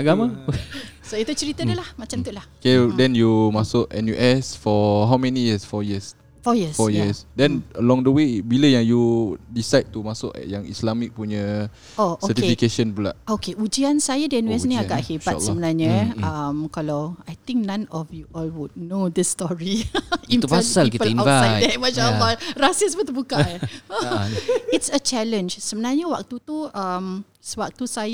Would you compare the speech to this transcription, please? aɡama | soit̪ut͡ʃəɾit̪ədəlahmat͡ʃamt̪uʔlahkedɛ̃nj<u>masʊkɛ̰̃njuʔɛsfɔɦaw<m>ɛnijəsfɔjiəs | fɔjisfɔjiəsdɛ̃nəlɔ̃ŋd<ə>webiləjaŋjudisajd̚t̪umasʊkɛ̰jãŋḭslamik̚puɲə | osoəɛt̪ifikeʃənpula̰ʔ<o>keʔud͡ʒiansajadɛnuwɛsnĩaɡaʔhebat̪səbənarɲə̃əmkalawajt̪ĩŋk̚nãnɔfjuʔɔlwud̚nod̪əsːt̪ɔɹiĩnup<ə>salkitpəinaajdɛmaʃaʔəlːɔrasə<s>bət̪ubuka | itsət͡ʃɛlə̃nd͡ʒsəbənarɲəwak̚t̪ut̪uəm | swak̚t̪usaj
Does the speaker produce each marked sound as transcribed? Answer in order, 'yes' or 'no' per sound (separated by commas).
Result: yes, yes, yes, yes, no, yes